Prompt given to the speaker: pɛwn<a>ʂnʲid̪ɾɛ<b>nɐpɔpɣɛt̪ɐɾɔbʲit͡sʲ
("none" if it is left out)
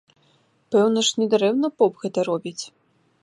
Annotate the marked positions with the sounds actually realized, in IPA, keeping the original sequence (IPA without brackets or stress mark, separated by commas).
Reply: ɐ, w